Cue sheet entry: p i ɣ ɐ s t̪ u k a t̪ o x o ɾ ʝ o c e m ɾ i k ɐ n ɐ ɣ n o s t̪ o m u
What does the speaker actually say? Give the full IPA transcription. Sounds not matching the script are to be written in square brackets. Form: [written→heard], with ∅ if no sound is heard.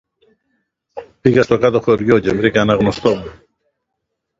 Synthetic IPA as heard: p i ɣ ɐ s t̪ [u→o] k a t̪ o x o ɾ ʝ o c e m ɾ i k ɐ n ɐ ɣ n o s t̪ o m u